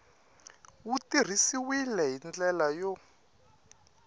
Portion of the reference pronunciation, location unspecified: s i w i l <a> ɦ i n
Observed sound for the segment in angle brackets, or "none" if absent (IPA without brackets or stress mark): ɛ